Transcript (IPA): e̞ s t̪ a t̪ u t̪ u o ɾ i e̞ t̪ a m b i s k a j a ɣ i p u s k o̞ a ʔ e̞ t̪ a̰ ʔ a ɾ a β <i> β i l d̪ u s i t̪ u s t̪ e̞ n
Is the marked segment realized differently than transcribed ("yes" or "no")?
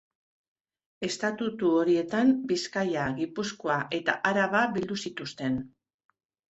yes